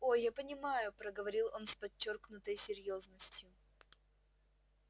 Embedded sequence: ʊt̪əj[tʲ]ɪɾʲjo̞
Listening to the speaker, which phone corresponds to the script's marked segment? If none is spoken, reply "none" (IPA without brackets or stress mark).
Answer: sʲ